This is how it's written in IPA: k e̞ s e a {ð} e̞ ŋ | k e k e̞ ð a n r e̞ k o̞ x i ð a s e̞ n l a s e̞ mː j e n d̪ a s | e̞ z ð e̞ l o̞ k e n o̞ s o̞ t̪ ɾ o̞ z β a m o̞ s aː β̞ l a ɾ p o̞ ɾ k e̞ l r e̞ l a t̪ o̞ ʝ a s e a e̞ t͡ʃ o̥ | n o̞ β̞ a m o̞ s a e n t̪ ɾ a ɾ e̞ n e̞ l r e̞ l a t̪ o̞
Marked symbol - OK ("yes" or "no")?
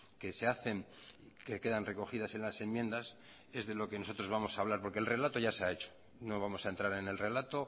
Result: no